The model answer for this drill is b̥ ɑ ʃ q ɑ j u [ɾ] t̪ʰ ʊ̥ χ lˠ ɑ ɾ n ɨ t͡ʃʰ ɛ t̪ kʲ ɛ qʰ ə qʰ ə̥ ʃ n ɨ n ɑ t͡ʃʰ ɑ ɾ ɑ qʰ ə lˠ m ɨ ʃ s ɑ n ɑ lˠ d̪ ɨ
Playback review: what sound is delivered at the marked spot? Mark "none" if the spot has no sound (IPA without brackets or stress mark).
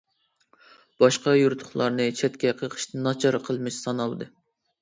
ɾ